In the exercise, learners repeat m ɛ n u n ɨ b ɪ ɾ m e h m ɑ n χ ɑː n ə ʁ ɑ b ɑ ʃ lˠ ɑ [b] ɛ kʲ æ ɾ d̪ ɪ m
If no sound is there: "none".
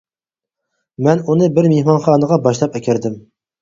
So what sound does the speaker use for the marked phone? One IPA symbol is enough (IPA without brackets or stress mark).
p